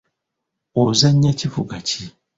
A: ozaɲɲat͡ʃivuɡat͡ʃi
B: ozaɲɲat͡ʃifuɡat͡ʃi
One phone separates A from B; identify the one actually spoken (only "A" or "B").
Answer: B